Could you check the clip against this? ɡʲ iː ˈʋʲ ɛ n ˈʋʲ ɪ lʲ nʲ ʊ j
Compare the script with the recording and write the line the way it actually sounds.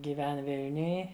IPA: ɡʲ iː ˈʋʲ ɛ n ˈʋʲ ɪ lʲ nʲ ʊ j